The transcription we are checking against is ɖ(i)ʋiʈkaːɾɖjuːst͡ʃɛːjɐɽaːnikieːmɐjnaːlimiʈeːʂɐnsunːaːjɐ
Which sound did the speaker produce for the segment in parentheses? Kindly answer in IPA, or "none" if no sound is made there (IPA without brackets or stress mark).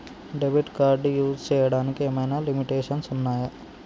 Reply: e